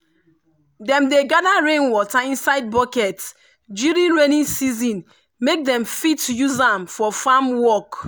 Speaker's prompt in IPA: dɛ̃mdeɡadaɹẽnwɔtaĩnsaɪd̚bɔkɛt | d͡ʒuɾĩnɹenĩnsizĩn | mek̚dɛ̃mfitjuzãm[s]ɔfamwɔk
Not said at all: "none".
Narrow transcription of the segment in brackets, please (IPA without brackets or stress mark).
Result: f